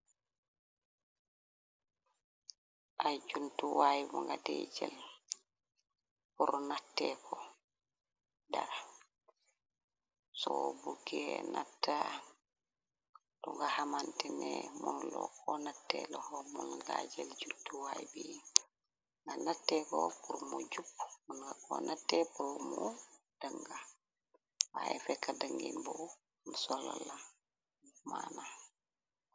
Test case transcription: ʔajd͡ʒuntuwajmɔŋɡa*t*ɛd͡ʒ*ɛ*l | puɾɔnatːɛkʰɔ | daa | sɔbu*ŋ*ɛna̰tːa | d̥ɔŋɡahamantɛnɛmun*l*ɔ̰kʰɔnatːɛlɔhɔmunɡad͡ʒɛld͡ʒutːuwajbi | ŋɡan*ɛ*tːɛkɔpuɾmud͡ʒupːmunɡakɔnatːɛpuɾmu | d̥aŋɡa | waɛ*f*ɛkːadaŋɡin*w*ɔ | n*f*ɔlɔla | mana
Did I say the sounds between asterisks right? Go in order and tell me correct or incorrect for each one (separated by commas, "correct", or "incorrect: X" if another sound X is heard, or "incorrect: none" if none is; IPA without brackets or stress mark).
incorrect: d, correct, incorrect: ɡ, correct, incorrect: a, correct, incorrect: b, incorrect: s